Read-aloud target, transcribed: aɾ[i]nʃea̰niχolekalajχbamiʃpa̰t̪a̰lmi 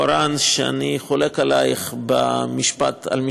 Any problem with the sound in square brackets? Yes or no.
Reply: yes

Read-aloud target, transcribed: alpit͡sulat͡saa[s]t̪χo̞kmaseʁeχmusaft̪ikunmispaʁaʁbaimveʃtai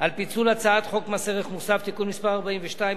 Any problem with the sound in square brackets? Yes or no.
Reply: yes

